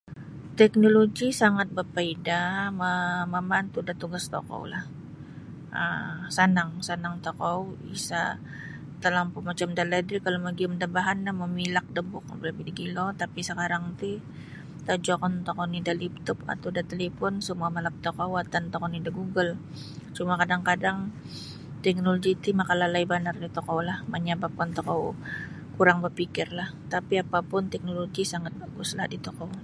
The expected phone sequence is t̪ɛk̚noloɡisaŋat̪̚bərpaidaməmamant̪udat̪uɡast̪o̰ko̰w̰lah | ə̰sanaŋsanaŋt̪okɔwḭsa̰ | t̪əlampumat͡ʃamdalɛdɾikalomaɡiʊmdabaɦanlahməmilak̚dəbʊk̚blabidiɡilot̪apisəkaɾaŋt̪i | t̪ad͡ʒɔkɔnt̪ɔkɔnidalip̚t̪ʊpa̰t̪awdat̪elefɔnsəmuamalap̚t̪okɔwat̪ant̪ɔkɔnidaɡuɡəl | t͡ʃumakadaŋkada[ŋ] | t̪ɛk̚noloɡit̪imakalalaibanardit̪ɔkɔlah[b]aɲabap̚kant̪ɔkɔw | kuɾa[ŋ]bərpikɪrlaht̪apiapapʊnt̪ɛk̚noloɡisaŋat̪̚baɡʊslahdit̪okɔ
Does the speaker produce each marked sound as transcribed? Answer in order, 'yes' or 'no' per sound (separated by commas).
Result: yes, no, yes